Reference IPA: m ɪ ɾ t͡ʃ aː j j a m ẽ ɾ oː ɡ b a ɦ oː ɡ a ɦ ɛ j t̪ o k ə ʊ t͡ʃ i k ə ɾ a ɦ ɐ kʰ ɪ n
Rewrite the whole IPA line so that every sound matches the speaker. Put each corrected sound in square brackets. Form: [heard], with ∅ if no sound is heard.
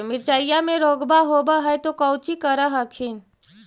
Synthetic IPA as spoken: m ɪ ɾ t͡ʃ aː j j a m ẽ ɾ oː ɡ b a ɦ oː [b] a ɦ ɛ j t̪ o k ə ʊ t͡ʃ i k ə ɾ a ɦ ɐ kʰ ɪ n